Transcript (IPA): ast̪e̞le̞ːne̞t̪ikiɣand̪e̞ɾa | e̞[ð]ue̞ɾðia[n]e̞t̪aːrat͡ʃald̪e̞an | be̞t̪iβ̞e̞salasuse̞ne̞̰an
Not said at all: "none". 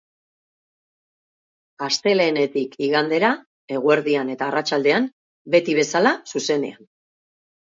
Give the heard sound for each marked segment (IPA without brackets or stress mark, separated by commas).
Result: ɣ, n